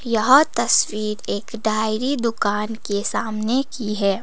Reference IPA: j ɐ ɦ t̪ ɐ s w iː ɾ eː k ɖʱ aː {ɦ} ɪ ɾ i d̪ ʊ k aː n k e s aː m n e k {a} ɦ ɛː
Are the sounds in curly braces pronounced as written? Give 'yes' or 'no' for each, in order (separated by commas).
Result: no, no